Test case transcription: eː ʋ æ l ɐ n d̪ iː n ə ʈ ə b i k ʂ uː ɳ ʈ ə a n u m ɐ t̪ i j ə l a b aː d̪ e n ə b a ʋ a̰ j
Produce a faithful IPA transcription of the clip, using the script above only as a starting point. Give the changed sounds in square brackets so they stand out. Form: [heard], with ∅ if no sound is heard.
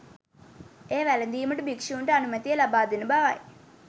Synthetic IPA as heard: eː ʋ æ l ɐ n d̪ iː [m] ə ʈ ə b i k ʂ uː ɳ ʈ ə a n u m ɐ t̪ i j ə l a b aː d̪ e n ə b a ʋ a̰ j